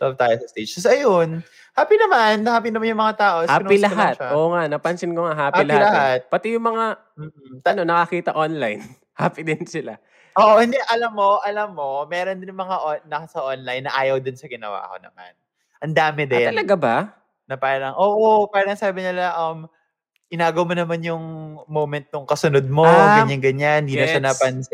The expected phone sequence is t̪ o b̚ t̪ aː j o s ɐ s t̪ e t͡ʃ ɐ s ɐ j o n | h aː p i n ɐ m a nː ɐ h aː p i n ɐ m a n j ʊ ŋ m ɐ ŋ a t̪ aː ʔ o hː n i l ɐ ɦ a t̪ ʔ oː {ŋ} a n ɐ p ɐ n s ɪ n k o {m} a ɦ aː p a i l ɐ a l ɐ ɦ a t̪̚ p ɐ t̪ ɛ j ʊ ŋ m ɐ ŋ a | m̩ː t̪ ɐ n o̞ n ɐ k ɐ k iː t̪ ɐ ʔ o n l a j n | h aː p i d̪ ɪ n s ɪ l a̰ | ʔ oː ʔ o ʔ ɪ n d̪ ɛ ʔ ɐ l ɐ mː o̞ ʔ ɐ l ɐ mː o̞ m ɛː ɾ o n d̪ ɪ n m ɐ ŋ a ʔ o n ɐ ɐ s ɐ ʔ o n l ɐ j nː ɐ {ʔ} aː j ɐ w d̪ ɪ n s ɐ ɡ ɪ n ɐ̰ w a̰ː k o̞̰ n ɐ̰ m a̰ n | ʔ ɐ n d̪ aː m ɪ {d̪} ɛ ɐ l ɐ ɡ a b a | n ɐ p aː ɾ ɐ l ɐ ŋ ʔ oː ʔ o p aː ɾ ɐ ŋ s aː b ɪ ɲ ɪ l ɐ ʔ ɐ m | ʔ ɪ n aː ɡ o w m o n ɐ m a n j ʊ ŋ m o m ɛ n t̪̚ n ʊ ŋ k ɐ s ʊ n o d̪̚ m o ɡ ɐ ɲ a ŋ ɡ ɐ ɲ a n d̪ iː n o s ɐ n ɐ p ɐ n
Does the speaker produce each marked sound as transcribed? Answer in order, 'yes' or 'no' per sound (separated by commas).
yes, no, yes, yes